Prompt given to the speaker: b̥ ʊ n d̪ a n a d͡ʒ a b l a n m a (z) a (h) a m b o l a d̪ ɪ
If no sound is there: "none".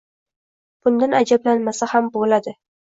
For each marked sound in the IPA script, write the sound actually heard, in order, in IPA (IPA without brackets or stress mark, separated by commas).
s, h